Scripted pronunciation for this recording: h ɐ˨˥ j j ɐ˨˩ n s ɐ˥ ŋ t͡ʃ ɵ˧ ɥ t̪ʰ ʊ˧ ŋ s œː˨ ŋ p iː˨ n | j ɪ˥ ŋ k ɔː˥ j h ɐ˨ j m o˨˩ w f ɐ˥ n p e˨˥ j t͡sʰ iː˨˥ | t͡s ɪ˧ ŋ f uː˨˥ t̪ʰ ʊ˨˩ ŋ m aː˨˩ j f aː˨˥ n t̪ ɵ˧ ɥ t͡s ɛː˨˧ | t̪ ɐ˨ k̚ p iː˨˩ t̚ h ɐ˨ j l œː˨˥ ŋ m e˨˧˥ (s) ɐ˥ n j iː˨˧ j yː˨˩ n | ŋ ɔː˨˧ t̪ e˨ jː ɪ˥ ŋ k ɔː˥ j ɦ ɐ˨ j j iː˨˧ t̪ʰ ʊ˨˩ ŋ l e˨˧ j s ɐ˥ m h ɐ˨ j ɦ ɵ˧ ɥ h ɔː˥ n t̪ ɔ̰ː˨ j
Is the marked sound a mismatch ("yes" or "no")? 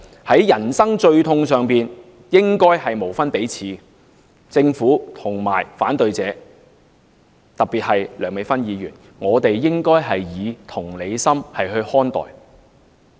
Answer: yes